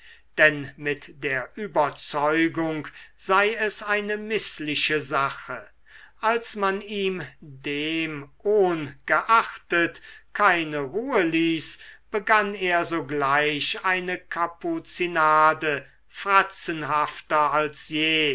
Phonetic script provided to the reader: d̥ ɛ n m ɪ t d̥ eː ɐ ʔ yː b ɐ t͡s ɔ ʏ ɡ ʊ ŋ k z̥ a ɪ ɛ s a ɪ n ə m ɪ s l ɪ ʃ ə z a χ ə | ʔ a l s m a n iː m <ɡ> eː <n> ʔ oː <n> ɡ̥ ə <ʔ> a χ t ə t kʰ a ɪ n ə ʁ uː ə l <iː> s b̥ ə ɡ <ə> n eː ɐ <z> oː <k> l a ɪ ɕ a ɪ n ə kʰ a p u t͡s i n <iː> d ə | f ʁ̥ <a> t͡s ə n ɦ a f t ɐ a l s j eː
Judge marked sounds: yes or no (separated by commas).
no, no, yes, yes, yes, no, yes, no, no, yes